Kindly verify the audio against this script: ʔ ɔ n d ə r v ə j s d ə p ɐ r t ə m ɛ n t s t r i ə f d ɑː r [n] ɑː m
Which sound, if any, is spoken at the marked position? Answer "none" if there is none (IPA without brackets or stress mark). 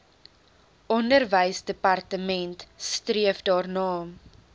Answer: n